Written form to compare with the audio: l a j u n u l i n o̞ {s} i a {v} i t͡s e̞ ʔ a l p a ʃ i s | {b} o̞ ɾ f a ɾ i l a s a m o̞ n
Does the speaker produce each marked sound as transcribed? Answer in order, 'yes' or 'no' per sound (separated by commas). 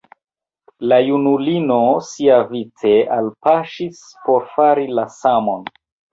yes, yes, no